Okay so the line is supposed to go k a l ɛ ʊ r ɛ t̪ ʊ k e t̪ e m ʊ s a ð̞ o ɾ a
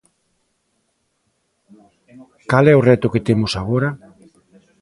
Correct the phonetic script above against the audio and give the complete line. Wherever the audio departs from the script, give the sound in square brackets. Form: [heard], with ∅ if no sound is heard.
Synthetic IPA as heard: k a l ɛ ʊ r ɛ t̪ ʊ k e t̪ e m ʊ s a [ɣ̞] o ɾ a